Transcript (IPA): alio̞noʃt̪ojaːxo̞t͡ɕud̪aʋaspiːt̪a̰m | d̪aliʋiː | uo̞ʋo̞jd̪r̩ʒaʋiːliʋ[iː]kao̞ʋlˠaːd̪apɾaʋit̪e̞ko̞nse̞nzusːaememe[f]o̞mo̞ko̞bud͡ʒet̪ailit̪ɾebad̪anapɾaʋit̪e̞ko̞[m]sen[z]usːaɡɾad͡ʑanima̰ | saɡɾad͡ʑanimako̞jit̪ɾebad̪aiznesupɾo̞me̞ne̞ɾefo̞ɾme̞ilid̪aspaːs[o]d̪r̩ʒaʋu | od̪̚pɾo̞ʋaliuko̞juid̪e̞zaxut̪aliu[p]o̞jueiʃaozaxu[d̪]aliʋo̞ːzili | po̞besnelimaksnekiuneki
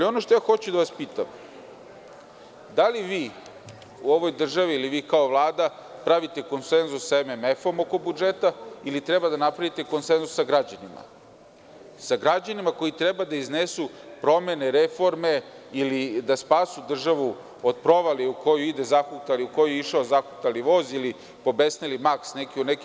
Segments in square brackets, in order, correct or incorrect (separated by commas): correct, correct, incorrect, correct, incorrect, incorrect, incorrect